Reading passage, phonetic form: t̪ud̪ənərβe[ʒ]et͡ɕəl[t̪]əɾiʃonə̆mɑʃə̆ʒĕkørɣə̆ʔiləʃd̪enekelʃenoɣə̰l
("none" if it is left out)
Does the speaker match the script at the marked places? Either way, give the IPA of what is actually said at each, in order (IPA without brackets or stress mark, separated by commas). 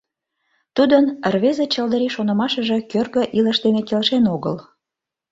z, d̪